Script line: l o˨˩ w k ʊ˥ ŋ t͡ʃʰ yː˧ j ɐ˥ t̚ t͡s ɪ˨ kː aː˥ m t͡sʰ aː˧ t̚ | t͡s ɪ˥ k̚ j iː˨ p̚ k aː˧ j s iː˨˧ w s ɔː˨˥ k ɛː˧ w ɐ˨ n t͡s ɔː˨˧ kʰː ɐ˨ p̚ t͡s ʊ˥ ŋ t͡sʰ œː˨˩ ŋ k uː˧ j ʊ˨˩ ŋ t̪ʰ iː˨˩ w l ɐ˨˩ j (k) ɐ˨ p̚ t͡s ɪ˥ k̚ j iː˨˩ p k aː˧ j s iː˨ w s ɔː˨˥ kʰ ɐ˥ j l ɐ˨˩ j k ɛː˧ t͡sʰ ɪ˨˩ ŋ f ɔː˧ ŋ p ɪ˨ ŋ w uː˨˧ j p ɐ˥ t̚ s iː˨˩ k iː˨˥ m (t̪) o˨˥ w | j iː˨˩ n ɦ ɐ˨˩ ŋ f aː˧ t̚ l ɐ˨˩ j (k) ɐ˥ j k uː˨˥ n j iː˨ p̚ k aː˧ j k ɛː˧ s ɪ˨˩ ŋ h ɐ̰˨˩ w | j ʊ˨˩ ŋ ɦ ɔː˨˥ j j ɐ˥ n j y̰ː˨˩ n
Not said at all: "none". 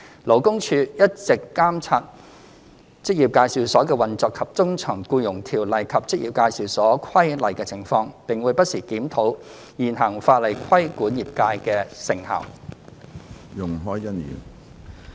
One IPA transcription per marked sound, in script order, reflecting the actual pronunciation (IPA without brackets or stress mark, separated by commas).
kʰ, t̪ʰ, kʰ